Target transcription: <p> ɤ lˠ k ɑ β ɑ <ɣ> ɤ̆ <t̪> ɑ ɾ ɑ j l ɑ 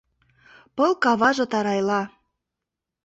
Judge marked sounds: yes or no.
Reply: yes, no, yes

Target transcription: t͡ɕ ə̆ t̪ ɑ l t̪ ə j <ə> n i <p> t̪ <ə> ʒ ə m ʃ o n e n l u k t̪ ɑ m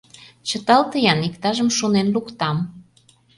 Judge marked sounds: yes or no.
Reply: no, no, no

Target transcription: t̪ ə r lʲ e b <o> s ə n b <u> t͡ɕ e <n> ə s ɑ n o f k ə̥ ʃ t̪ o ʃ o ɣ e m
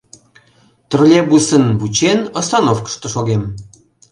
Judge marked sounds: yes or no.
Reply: no, yes, yes

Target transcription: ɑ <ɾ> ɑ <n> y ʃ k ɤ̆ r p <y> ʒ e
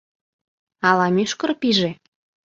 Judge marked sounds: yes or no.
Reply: no, no, no

